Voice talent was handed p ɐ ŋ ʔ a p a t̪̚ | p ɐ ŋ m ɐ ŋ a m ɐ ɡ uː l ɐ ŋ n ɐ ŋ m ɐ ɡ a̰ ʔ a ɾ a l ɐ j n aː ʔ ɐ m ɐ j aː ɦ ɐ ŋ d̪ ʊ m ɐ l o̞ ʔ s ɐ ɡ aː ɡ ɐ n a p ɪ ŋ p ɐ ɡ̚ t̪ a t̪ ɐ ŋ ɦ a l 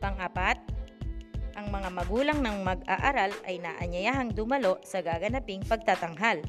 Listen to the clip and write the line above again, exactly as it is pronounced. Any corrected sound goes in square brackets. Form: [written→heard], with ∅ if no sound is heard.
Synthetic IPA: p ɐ ŋ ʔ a p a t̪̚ | [p→ʔ] ɐ ŋ m ɐ ŋ a m ɐ ɡ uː l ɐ ŋ n ɐ ŋ m ɐ ɡ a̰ ʔ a ɾ a l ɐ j n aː ʔ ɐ [m→ɲ] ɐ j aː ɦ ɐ ŋ d̪ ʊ m ɐ l o̞ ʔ s ɐ ɡ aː ɡ ɐ n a p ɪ ŋ p ɐ ɡ̚ t̪ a t̪ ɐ ŋ ɦ a l